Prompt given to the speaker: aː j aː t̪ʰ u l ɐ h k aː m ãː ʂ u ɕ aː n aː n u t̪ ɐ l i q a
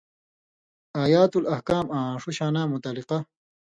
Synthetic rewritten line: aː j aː t̪ u l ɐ h k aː m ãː ʂ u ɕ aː n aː m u t̪ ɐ l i q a